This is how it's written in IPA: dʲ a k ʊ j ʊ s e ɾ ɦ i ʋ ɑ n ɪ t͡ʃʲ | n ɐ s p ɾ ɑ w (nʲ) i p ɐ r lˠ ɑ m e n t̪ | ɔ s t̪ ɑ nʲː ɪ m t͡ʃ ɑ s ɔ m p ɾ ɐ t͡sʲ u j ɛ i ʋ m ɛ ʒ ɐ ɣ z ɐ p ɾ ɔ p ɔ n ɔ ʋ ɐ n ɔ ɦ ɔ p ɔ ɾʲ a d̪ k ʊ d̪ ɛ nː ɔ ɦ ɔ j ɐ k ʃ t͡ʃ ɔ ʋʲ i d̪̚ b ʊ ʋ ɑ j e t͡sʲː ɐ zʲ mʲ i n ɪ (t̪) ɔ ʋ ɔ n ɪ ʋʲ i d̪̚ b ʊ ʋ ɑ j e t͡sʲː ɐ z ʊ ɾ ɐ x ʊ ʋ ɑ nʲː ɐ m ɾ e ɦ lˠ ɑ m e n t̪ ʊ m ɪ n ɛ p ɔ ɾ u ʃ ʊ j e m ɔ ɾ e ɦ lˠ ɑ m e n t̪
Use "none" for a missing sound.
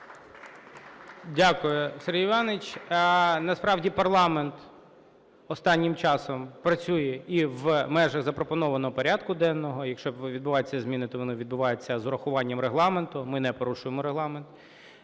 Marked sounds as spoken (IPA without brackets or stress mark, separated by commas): dʲ, t̪